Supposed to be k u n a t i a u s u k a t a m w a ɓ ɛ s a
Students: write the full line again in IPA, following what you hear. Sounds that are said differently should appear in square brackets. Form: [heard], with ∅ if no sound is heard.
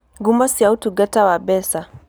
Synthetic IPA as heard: [ɡ] u [m] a [s] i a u [t] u [ɡ] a t a [∅] w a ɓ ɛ s a